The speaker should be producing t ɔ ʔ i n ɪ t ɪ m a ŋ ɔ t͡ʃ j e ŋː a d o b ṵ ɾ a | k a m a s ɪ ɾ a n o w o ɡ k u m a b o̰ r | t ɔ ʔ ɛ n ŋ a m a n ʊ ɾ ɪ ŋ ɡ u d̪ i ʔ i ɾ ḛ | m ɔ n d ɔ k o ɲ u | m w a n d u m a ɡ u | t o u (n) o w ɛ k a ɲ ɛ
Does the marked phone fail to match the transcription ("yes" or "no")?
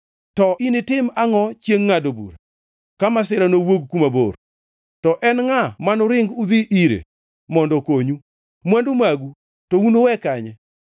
no